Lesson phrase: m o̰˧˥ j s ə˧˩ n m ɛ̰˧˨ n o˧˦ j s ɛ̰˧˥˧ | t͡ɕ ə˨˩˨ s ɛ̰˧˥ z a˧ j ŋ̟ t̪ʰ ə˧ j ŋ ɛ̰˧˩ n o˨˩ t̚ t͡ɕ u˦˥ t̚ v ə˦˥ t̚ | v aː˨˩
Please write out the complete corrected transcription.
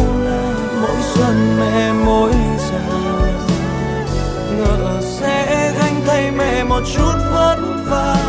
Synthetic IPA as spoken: m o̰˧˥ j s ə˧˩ n m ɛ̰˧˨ m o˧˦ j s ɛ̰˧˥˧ | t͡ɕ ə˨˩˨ s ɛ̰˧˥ ɣ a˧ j ŋ̟ t̪ʰ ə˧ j m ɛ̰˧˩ m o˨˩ t̚ t͡ɕ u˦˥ t̚ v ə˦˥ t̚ | v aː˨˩